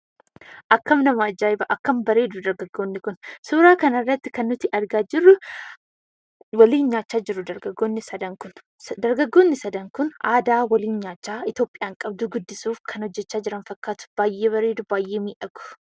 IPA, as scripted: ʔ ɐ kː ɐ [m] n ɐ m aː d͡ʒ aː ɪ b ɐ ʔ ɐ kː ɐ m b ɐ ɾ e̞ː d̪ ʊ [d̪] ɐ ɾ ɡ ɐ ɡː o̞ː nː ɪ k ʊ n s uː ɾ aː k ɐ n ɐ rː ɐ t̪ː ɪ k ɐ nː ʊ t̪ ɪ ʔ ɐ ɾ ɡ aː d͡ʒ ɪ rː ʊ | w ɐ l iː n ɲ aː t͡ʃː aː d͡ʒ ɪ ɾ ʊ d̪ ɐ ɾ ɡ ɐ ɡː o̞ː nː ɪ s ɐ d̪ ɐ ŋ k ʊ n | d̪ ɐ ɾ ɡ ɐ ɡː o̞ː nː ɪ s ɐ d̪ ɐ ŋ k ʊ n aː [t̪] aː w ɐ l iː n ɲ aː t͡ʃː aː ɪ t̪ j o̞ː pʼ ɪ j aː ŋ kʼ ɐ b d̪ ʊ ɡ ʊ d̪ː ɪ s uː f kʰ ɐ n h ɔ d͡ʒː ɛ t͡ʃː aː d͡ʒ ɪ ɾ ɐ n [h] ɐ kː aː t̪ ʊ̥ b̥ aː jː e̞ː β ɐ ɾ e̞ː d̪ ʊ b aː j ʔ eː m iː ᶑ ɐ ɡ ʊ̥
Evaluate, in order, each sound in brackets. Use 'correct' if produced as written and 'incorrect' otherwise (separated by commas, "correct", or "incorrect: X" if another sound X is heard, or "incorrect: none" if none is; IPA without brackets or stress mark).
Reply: correct, correct, incorrect: d̪, incorrect: f